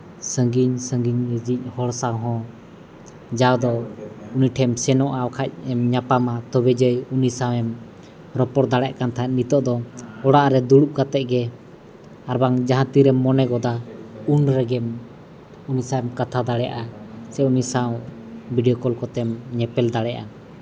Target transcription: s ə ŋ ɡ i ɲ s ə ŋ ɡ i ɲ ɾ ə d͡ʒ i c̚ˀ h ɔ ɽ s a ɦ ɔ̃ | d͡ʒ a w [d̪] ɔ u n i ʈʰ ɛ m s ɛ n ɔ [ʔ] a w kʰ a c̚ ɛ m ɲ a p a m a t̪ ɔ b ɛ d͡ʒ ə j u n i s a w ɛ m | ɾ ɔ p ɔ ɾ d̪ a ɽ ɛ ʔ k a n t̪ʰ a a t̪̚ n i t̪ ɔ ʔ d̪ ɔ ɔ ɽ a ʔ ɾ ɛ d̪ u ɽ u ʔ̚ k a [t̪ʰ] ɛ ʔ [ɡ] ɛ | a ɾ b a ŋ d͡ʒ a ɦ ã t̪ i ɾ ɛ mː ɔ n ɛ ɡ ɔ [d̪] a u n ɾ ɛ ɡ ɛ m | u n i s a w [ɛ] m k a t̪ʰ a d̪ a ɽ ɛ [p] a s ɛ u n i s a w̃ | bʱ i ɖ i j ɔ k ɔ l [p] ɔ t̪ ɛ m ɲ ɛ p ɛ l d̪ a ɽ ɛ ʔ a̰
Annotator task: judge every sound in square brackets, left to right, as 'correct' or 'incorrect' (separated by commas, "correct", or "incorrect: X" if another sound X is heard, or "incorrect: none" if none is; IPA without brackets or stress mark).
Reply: correct, correct, incorrect: t̪, correct, correct, correct, incorrect: ʔ, incorrect: k